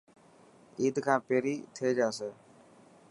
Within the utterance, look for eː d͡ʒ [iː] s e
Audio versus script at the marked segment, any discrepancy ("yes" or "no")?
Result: yes